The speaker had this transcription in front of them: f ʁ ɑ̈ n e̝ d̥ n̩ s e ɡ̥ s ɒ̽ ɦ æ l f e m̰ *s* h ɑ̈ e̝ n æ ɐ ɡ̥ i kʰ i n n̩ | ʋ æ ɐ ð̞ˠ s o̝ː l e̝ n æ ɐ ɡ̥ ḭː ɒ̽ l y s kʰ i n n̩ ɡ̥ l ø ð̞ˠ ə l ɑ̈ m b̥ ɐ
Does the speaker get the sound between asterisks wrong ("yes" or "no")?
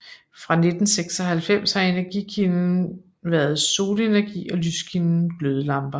no